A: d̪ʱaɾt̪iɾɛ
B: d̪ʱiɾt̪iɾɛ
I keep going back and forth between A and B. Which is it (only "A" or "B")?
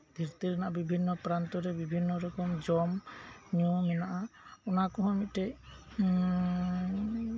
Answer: B